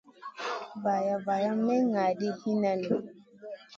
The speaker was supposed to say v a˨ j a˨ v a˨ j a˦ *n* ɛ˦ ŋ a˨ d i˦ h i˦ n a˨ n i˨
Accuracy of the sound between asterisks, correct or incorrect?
incorrect